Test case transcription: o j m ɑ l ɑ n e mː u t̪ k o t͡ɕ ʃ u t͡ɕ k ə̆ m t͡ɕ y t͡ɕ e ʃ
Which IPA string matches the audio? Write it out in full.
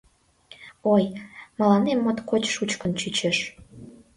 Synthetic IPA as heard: o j m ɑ l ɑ n e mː o t̪ k o t͡ɕ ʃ u t͡ɕ k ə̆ n t͡ɕ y t͡ɕ e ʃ

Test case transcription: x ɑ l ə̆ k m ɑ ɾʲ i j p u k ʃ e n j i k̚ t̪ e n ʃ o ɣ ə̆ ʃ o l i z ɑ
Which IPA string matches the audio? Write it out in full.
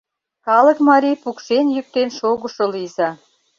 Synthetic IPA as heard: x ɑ l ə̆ k m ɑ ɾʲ i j p u k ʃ e n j y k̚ t̪ e n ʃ o ɣ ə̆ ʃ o l i z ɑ

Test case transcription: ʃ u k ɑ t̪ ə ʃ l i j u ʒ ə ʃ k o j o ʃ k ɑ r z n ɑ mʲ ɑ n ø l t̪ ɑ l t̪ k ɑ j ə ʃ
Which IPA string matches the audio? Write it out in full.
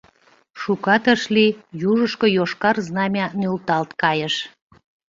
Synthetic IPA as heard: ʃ u k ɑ t̪ ə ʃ l i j u ʒ ə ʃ k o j o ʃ k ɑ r z n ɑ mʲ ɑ n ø l t̪ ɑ l t̪ k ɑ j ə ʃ

